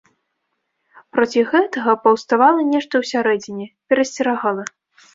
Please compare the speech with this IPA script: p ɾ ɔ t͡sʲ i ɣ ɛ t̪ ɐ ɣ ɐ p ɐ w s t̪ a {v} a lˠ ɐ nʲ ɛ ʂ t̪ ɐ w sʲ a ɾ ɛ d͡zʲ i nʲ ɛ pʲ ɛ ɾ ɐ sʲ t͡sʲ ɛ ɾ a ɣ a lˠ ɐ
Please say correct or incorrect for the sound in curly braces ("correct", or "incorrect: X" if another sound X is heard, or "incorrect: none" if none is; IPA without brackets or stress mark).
correct